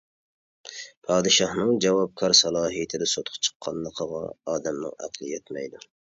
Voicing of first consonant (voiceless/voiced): voiceless